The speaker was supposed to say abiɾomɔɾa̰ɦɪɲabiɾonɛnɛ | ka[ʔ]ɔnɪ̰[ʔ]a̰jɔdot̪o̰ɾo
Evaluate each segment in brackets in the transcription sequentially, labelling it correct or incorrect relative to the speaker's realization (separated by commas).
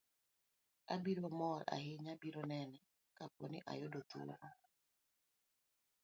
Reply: incorrect, correct